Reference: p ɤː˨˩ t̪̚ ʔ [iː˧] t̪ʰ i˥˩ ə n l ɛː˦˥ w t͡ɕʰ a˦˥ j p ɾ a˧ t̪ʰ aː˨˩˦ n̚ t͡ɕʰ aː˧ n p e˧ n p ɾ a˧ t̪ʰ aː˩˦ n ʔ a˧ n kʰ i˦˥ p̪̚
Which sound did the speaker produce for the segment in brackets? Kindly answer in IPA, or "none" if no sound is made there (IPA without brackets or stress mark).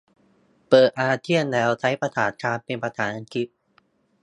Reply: aː˧